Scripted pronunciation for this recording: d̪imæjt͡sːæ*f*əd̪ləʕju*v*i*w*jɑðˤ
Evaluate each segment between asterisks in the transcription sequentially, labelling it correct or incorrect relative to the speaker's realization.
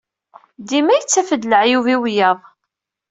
correct, correct, correct

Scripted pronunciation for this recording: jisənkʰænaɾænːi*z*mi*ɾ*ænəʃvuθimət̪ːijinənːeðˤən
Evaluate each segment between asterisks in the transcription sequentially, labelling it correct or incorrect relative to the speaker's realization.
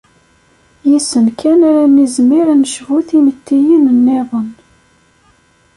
correct, correct

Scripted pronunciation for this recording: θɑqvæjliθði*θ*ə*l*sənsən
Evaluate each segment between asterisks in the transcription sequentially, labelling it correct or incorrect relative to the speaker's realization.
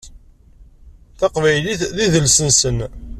incorrect, correct

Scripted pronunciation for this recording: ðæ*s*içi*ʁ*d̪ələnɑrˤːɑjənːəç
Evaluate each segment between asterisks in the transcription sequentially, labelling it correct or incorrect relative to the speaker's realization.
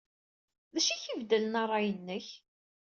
incorrect, incorrect

